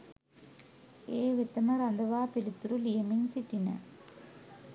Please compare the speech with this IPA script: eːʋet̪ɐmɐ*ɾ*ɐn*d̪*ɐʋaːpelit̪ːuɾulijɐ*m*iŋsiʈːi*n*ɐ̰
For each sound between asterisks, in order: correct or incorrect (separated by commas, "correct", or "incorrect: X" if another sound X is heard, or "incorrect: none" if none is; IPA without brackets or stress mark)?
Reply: correct, correct, correct, correct